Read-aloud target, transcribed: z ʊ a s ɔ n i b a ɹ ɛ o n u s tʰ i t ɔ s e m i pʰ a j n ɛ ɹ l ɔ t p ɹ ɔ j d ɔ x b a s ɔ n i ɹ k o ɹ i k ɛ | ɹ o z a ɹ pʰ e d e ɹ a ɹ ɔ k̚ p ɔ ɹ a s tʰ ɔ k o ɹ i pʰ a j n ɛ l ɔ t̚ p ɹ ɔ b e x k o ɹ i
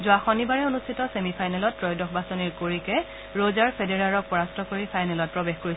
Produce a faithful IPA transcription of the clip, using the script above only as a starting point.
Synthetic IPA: z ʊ a x ɔ n i b a ɹ ɛ o n u s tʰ i t ɔ s e m i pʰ a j n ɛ l ɔ t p ɹ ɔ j d ɔ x b a s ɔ n i ɹ k o ɹ i k ɛ | ɹ o z a ɹ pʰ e d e ɹ a ɹ ɔ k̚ p ɔ ɹ a s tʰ ɔ k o ɹ i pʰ a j n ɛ l ɔ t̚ p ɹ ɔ b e x k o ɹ i